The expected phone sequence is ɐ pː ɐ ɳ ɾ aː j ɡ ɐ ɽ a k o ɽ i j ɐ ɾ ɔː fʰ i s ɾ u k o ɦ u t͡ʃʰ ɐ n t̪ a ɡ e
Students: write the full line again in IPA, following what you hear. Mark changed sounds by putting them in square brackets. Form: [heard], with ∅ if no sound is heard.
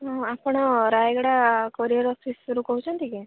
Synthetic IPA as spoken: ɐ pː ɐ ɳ ɾ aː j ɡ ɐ ɽ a k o [ɾ] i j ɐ ɾ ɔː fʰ i s ɾ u k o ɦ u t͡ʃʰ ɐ n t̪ [i] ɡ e